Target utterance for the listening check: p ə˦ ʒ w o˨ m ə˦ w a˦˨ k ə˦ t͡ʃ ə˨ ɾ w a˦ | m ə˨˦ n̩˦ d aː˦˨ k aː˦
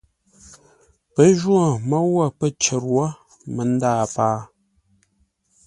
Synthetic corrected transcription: p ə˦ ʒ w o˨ m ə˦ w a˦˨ p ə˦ t͡ʃ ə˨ ɾ w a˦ | m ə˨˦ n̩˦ d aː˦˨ p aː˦